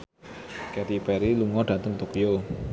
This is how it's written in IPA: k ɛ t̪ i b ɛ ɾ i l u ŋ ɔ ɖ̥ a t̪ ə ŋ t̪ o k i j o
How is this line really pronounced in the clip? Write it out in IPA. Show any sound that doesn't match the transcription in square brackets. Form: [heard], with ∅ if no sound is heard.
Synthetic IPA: k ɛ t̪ i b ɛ ɾ i l u ŋ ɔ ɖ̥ a t̪ ə ŋ t̪ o k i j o

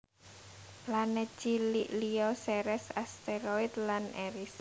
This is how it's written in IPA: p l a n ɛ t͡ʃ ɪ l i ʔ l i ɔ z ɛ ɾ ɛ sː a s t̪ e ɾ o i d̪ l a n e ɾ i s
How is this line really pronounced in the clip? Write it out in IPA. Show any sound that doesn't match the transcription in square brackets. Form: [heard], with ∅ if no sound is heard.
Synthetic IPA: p l a n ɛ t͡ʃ [i] l i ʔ l i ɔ [s] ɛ ɾ ɛ [s] a s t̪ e ɾ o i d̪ l a n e ɾ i s

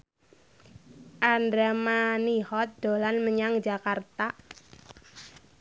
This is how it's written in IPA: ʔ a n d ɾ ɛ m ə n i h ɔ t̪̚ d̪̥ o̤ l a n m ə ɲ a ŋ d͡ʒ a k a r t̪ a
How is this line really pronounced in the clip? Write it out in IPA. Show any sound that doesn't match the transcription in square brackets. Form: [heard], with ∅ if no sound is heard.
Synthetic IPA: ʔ a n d ɾ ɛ m [a] n i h ɔ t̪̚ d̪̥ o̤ l a n m ə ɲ a ŋ d͡ʒ a k a r t̪ a

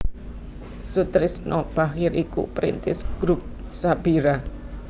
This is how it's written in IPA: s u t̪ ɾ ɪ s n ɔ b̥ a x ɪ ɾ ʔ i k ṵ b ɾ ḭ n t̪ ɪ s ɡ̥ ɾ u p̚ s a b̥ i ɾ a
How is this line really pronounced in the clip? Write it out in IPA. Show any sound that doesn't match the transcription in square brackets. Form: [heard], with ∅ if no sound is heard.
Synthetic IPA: s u t̪ ɾ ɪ s n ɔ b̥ a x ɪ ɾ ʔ i k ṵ [p] ɾ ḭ n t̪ ɪ s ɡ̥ ɾ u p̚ s a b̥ i ɾ a

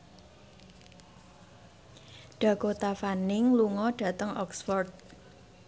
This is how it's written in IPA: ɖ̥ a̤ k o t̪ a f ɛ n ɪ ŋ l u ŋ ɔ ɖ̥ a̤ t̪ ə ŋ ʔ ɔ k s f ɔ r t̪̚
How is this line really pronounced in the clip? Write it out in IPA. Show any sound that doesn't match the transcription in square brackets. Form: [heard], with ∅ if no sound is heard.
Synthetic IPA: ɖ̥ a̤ k o t̪ a f [a] n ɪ ŋ l u ŋ ɔ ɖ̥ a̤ t̪ ə ŋ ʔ ɔ k s f ɔ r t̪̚

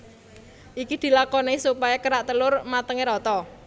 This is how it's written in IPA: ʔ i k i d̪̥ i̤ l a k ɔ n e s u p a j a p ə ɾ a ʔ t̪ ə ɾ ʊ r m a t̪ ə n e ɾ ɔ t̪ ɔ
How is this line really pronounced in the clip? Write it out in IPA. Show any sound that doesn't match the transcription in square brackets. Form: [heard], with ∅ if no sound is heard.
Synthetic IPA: ʔ i k i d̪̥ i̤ l a k ɔ n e s u p a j a [k] ə ɾ a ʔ t̪ ə [l] ʊ r m a t̪ ə [ŋ] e ɾ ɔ t̪ ɔ

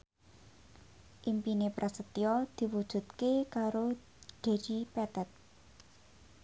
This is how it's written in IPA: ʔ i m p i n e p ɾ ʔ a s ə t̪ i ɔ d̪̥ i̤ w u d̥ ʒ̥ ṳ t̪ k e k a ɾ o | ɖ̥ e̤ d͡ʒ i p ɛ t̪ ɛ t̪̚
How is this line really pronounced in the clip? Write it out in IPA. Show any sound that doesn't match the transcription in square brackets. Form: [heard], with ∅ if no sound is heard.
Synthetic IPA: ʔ i m p i n e p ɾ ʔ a s ə t̪ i ɔ d̪̥ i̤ w u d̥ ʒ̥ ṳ t̪ k e k a ɾ o | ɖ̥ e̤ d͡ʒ i p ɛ t̪ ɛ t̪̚

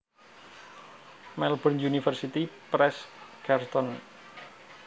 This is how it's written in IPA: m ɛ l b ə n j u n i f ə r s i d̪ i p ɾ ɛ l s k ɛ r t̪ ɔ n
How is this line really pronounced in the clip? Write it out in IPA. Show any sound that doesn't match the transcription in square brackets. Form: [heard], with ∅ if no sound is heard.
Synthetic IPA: m ɛ l b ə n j u n i f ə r s i [t̪] i p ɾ ɛ [∅] s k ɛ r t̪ ɔ n

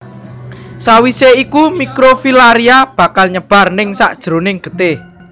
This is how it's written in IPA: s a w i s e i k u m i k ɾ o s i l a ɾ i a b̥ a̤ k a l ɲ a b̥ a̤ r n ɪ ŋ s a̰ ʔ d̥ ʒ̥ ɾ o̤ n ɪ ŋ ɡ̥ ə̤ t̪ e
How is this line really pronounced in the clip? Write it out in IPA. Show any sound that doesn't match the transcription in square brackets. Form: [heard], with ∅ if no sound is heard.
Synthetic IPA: s a w i s e i k u m i k ɾ o [f] i l a ɾ i a b̥ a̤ k a l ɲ [ə] b̥ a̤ r n ɪ ŋ s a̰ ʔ d̥ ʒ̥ ɾ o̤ n ɪ ŋ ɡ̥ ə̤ t̪ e

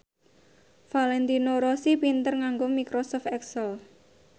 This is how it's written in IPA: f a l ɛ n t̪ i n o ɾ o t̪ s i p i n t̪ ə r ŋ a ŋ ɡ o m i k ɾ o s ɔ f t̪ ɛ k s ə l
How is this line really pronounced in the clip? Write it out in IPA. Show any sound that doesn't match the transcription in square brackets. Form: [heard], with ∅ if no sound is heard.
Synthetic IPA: f a l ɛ n t̪ i n o ɾ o [∅] s i p i n t̪ ə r ŋ a ŋ ɡ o m i k ɾ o s ɔ f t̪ ɛ k s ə l

